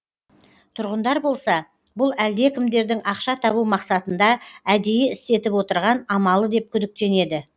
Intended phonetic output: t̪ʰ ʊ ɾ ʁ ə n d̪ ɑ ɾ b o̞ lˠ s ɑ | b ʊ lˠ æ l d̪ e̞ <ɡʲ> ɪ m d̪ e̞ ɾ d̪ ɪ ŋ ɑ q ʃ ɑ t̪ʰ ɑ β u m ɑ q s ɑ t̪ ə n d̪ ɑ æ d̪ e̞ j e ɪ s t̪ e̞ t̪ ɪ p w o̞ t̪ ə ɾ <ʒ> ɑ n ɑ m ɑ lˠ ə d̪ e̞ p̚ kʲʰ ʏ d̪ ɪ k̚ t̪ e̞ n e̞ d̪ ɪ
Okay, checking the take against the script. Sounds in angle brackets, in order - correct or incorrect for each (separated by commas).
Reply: incorrect, incorrect